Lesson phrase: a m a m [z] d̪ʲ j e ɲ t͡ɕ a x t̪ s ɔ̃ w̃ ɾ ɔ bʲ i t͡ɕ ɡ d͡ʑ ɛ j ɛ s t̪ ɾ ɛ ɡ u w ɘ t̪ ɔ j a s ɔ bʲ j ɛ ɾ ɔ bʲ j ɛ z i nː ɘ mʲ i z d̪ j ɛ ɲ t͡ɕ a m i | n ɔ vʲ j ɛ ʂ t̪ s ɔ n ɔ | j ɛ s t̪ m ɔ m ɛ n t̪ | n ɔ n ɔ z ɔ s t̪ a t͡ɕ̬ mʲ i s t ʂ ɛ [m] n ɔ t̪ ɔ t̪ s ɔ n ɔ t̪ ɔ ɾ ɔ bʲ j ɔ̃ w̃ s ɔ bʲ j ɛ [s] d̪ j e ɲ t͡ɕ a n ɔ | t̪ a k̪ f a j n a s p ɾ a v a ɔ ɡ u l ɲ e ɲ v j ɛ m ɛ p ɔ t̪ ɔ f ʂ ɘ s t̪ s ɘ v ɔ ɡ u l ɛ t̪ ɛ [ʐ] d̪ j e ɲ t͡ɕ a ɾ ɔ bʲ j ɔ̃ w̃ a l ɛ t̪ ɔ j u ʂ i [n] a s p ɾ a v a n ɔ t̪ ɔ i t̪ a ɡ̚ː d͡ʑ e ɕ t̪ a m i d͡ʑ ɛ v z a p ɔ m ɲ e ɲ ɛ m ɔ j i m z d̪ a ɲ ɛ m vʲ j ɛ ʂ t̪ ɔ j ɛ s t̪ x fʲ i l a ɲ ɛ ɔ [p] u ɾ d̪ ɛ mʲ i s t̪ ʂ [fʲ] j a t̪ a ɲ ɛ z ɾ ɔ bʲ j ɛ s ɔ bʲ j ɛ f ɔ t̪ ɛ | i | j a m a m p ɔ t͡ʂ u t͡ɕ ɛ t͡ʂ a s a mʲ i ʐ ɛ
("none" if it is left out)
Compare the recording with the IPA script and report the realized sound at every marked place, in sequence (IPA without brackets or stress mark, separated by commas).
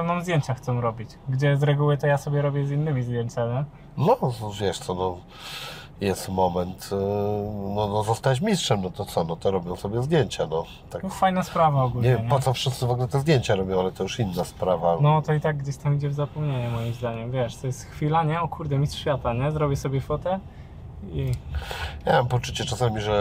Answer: z, m, z, z, nː, k, fʲ